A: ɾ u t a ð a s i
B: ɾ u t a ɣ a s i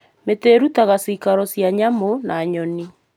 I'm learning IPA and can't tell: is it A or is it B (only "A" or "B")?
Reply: B